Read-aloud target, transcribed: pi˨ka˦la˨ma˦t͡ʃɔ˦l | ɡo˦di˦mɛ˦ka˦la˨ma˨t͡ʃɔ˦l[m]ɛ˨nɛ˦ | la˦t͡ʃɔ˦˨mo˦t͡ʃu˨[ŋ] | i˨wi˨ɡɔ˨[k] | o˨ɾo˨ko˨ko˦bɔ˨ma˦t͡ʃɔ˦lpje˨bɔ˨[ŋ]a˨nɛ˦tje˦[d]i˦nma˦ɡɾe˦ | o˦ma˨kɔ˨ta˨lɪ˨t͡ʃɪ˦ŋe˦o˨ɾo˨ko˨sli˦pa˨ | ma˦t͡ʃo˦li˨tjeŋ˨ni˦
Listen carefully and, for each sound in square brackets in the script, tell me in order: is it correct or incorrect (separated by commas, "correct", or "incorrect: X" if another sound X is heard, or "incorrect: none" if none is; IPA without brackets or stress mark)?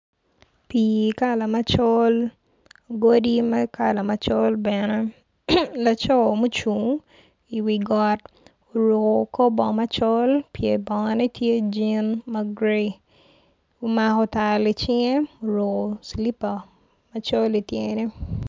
incorrect: b, correct, incorrect: t, correct, incorrect: d͡ʒ